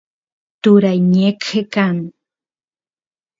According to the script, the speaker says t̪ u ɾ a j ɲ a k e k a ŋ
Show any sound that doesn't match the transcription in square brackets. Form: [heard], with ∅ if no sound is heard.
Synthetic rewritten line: t̪ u ɾ a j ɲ [e] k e k a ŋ